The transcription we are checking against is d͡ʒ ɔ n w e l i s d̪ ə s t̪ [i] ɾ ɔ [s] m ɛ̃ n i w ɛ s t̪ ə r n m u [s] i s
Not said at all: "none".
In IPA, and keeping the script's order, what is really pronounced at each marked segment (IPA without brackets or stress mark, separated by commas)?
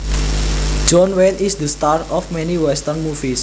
a, f, f